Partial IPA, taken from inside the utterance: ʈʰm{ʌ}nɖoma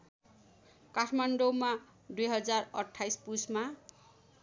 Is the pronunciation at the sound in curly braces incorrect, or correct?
incorrect: a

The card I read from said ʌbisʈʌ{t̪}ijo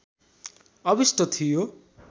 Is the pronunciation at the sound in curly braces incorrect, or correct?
incorrect: t̪ʰ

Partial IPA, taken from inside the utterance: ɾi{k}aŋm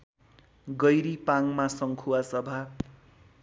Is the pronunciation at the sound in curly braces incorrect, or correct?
incorrect: p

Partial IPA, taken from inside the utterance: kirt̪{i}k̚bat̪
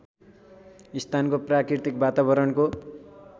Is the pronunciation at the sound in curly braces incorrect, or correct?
correct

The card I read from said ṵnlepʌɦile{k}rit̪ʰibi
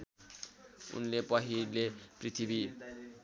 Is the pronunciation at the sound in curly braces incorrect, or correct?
incorrect: p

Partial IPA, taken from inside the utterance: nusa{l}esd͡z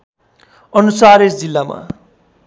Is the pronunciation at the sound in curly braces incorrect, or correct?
incorrect: ɾ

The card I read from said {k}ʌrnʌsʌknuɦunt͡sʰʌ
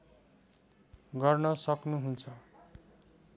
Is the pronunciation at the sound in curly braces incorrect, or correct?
incorrect: ɡ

